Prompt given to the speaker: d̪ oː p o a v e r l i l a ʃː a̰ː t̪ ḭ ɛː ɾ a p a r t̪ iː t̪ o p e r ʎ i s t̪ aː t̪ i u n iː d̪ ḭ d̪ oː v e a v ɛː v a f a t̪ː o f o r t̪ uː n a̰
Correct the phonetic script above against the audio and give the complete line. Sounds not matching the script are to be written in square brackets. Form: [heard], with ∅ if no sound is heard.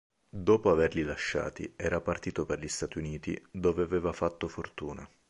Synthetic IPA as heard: d̪ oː p o a v e r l i l a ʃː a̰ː t̪ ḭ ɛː ɾ a p a r t̪ iː t̪ o p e r ʎ i s t̪ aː t̪ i u n iː [t̪] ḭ d̪ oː v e a v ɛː v a f a t̪ː o f o r t̪ uː n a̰